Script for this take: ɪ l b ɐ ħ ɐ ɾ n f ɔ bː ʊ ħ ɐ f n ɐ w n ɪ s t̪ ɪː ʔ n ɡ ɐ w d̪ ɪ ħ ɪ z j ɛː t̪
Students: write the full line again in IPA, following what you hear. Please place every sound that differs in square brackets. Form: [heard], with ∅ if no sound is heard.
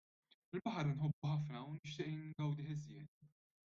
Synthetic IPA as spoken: ɪ l b ɐ ħ ɐ ɾ n [ħ] ɔ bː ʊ ħ ɐ f n ɐ w n ɪ [ʃ] t̪ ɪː ʔ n ɡ ɐ w d̪ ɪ ħ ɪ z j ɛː t̪